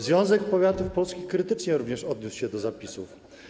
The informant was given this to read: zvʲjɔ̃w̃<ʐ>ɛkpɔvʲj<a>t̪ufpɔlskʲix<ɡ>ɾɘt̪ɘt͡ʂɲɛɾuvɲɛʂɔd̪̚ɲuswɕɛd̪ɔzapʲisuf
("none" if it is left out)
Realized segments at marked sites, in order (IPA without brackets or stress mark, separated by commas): z, a, k